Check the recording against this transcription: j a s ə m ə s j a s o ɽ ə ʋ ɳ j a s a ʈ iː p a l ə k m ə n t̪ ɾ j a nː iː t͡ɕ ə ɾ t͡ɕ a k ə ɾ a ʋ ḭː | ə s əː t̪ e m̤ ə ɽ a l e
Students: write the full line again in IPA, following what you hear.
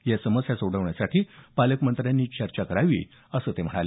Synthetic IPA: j a s ə m ə s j a s o ɽ ə ʋ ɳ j a s a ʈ iː p a l ə k m ə n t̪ ɾ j a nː iː t͡ɕ ə ɾ t͡ɕ a k ə ɾ a ʋ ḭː | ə s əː t̪ e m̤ ə ɽ a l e